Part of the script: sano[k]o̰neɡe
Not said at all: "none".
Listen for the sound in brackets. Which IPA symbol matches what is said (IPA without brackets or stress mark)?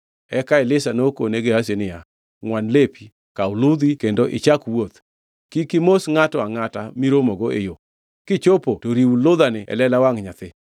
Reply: k